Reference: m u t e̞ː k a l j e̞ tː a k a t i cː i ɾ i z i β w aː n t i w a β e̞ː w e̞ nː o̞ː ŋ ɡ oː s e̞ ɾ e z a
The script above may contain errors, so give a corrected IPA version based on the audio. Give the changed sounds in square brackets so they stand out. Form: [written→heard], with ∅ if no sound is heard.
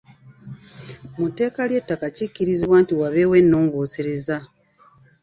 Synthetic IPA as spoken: m u t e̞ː k a l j e̞ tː a k a [t→c] i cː i ɾ i z i β w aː n t i w a β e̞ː w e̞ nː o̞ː ŋ ɡ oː s e̞ ɾ e z a